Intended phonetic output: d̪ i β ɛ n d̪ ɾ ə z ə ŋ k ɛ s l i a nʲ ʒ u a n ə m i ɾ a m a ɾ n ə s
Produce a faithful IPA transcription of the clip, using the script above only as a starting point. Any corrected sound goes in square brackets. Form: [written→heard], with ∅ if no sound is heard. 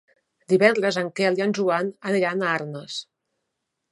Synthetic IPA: d̪ i β ɛ n d̪ ɾ ə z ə ŋ k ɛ [s→∅] l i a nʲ ʒ u a n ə [m→n] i ɾ a [m→n] a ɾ n ə s